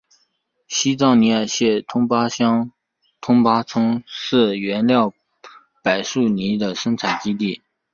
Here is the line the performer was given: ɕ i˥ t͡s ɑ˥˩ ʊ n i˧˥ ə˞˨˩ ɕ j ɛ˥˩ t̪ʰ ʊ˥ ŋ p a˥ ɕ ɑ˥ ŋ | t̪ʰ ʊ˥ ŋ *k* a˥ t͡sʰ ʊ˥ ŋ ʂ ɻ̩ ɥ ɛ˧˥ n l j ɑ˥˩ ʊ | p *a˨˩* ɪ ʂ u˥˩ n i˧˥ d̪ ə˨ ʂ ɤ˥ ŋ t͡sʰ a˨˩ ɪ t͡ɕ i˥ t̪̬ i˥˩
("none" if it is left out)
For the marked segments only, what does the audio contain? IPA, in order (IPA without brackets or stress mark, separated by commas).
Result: p, a˨˩